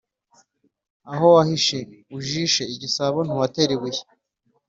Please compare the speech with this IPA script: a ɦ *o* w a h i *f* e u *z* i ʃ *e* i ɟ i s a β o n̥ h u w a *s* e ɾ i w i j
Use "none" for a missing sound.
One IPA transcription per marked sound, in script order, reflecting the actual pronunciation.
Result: o, ʃ, ʒ, e, t

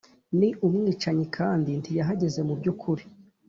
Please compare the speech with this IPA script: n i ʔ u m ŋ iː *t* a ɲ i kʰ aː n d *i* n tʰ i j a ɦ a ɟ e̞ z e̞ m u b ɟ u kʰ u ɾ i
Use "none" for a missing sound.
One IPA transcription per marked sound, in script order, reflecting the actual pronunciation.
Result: t͡ʃ, i

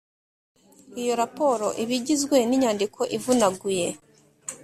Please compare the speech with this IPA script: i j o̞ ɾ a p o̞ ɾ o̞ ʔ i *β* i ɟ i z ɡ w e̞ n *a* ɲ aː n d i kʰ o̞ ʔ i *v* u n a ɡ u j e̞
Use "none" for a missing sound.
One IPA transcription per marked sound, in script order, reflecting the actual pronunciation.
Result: β, i, v

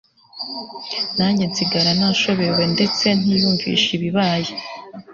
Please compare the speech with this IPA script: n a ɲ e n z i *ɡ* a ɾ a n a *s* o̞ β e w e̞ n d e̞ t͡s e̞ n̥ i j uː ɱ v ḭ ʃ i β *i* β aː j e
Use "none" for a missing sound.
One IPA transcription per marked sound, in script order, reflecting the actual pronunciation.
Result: ɡ, ʃ, i

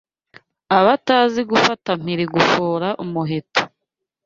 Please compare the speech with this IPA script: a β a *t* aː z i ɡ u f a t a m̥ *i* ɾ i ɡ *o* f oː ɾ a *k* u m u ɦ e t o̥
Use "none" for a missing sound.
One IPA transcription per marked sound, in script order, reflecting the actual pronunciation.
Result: t, i, u, ʔ

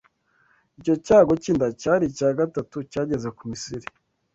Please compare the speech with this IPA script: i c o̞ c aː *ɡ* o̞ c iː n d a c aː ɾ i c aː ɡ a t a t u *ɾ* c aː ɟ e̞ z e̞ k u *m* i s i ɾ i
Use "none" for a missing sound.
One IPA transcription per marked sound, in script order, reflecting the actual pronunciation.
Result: ɡ, none, m

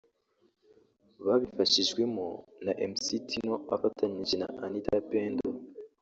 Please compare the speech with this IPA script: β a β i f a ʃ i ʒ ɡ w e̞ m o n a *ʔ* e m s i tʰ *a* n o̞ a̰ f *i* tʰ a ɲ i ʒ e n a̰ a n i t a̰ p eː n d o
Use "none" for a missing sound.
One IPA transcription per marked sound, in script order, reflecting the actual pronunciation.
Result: ʔ, i, a

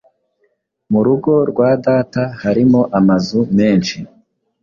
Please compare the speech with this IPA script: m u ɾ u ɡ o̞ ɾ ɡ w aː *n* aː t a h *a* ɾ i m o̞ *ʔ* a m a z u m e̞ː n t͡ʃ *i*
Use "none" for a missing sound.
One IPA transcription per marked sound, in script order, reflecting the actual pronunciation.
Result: d, a, ʔ, i

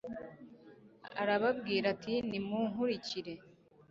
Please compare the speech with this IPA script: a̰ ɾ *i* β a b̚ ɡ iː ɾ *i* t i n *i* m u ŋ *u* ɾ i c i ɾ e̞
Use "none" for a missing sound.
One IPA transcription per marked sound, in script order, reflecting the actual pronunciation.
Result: a, a, i, u

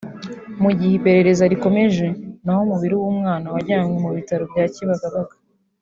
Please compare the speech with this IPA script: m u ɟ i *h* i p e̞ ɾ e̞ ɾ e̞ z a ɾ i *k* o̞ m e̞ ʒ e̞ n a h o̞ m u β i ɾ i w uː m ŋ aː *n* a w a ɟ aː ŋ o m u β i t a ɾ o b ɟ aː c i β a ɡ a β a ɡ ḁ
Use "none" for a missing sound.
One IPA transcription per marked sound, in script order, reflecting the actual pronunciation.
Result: h, k, n

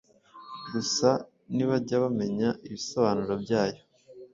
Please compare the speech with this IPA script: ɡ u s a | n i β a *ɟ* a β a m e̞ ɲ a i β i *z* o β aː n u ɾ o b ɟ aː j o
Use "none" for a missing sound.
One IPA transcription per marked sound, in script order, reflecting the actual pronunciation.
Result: ɟ, s

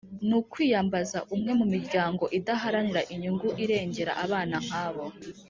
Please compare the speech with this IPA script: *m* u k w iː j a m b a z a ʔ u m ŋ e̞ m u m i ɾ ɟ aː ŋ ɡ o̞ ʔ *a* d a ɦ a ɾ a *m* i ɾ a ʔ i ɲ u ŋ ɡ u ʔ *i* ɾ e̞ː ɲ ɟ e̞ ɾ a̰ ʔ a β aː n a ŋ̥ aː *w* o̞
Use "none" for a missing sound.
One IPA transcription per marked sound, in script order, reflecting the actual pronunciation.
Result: n, i, n, i, β

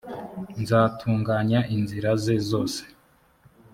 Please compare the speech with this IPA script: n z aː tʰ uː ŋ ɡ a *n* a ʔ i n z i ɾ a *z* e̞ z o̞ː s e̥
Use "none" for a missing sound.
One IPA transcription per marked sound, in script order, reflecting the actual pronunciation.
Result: ɲ, z

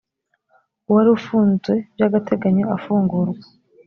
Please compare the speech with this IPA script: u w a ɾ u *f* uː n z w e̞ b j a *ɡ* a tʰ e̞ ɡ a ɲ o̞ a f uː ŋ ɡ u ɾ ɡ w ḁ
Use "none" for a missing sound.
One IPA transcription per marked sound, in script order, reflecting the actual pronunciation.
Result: f, ɡ

